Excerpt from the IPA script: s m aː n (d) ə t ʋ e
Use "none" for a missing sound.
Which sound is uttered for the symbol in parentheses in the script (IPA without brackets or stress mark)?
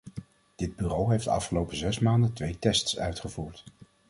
d